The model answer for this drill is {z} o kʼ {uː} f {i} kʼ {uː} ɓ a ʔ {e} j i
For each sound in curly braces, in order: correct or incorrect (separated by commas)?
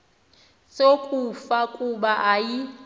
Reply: incorrect, incorrect, incorrect, incorrect, incorrect